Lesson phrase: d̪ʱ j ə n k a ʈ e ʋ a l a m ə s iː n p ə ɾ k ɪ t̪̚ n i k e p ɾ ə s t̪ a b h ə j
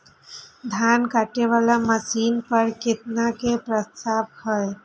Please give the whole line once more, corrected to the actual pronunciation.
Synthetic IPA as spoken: d̪ʱ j a n k a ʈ e ʋ a l a m ə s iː n p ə ɾ k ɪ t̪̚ n a k e p ɾ ə s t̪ a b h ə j